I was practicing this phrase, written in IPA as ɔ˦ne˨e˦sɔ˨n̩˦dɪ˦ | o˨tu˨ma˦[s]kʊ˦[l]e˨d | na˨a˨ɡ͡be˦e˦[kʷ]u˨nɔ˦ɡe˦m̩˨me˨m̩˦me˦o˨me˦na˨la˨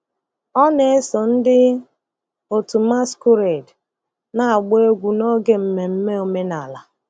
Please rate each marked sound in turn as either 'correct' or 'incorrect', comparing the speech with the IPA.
correct, incorrect, incorrect

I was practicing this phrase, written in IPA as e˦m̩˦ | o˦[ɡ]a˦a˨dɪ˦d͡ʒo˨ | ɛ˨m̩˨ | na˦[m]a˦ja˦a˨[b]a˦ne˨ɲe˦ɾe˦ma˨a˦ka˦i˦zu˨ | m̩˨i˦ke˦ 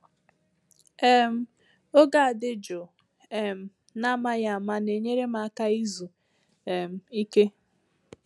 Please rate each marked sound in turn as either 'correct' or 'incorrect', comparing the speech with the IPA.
correct, correct, incorrect

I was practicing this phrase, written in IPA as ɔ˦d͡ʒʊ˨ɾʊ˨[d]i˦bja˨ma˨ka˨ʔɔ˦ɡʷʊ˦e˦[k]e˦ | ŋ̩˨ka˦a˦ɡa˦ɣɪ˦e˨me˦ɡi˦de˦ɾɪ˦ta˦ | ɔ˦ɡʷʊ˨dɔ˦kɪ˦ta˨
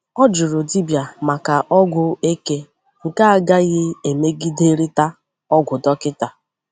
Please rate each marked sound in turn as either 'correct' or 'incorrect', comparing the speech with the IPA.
correct, correct

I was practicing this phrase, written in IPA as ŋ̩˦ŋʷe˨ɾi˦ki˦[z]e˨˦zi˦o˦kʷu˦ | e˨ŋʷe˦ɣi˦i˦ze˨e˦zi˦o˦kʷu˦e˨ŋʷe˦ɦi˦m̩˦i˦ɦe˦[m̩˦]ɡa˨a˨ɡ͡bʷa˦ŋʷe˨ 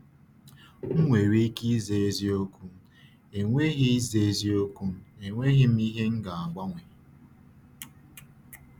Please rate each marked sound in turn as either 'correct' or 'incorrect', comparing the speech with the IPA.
correct, incorrect

